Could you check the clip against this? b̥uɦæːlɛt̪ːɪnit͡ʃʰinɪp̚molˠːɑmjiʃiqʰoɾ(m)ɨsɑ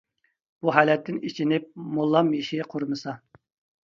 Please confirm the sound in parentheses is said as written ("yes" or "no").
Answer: yes